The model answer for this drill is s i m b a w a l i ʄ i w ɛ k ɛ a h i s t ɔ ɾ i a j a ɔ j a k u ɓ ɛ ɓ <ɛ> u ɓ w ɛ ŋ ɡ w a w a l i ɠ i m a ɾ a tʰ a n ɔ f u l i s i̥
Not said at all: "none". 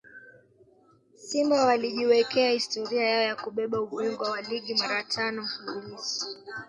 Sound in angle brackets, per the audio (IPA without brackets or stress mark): a